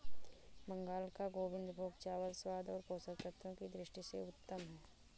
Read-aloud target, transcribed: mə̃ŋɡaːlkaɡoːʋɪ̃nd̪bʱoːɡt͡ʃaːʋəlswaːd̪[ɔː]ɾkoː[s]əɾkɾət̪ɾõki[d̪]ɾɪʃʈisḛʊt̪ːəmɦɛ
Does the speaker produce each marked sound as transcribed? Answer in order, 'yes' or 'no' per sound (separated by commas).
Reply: yes, yes, yes